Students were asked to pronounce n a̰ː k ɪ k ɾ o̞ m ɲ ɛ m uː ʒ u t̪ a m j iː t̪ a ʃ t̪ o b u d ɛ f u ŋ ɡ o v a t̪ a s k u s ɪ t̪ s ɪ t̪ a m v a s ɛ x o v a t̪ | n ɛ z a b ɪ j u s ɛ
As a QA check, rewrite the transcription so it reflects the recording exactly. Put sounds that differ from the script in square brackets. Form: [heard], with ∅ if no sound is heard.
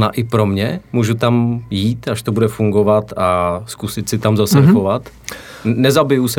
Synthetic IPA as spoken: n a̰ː [ʔ] ɪ [p] ɾ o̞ m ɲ ɛ m uː ʒ u t̪ a m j iː t̪ a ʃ t̪ o b u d ɛ f u ŋ ɡ o v a t̪ a s k u s ɪ t̪ s ɪ t̪ a m [z] a s ɛ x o v a t̪ | n ɛ z a b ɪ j u s ɛ